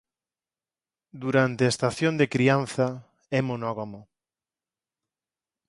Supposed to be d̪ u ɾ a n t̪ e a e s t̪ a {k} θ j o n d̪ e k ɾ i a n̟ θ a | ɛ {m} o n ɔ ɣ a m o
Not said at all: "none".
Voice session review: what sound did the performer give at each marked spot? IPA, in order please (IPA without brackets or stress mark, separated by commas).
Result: none, m